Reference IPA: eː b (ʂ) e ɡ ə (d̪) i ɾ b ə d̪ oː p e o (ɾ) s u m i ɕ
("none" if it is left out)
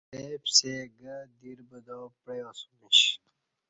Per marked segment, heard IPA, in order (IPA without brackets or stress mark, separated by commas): s, d̪, none